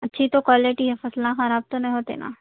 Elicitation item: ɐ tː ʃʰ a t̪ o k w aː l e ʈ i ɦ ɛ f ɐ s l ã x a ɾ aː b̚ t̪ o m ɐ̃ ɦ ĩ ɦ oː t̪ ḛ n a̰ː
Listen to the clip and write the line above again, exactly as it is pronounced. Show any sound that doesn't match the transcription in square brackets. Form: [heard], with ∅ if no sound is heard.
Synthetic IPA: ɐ tː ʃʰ [i] t̪ o k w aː l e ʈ i ɦ ɛ f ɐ s l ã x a ɾ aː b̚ t̪ o [n] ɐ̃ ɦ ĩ ɦ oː t̪ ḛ n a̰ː